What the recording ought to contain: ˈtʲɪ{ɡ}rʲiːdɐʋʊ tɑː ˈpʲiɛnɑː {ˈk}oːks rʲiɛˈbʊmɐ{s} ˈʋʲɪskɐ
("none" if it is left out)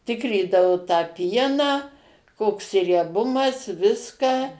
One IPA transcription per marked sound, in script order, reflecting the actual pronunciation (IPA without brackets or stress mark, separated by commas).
k, k, s